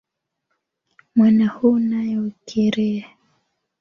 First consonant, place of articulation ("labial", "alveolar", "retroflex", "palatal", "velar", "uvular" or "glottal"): labial